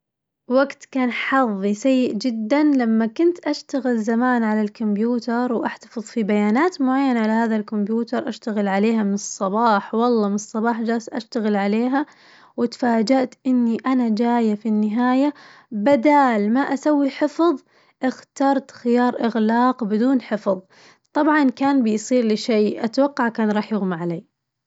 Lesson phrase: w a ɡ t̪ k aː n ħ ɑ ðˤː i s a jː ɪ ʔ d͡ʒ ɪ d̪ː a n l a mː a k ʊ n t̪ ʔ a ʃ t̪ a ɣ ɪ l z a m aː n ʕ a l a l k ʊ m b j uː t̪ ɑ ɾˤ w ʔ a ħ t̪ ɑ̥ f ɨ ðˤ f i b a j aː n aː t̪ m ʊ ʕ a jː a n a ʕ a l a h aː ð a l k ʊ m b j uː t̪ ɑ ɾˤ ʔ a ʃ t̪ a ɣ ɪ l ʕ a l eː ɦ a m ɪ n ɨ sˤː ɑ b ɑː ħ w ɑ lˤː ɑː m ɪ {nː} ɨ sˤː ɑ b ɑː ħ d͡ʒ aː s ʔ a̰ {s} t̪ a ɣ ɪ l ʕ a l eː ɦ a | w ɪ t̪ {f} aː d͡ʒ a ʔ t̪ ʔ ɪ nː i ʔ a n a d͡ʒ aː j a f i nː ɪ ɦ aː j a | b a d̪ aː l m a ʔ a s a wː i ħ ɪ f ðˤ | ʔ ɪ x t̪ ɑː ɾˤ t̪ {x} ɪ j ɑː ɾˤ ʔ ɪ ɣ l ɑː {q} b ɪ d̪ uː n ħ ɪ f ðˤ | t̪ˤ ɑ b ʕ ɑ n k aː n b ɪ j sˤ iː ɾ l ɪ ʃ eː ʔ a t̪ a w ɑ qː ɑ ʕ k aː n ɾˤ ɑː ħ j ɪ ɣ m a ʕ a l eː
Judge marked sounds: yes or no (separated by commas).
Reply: no, no, yes, yes, yes